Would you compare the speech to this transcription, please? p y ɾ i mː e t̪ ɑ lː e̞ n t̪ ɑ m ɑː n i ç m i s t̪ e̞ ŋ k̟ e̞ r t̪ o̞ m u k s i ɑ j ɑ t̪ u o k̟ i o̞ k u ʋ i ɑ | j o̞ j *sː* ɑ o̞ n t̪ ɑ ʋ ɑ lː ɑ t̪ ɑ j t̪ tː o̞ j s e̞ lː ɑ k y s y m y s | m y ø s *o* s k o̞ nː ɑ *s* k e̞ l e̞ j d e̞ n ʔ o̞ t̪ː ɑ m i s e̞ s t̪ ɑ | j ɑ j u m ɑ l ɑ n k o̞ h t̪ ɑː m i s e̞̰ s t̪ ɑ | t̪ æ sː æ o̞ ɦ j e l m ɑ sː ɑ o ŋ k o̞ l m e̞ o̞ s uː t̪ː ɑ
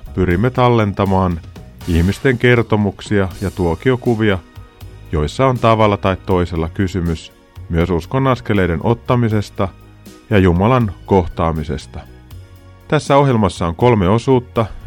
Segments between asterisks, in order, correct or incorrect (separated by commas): correct, incorrect, correct